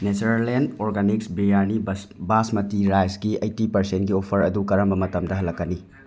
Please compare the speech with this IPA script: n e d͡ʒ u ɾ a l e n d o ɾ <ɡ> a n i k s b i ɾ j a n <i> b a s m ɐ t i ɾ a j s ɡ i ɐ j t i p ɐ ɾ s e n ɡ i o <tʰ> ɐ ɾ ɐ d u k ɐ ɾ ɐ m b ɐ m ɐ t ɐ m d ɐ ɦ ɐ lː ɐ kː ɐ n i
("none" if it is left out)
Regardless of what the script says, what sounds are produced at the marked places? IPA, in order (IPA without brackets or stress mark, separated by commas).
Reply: ɡ, i, pʰ